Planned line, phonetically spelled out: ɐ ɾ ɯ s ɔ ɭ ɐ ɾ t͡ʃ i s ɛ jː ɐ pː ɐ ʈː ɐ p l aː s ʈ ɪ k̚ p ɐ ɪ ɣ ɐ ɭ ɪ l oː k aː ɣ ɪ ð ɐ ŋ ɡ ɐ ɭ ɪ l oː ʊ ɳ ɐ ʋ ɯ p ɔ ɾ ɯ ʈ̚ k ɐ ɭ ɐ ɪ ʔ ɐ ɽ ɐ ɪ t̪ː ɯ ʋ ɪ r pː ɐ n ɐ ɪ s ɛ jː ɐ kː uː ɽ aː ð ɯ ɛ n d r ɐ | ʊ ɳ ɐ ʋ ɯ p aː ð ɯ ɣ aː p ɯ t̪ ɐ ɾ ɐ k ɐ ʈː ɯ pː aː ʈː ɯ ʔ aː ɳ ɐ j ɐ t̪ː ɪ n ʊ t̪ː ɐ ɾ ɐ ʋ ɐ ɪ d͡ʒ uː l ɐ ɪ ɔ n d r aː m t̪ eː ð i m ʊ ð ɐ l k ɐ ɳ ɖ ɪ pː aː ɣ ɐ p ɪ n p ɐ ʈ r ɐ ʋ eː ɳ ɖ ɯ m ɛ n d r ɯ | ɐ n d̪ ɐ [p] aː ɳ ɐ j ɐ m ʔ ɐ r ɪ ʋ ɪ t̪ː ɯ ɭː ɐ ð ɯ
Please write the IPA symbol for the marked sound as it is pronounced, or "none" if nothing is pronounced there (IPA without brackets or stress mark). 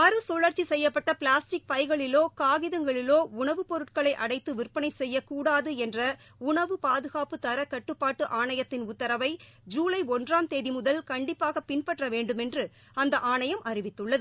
ʔ